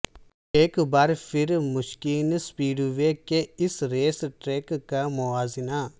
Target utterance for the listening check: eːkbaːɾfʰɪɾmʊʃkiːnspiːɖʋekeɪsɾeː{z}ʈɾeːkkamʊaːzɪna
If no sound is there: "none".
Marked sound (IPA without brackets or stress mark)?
s